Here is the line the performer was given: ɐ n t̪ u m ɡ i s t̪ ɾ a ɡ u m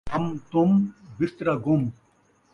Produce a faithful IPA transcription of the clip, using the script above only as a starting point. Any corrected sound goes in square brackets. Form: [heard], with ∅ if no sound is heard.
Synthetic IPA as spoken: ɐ [m] t̪ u m [b] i s t̪ ɾ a ɡ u m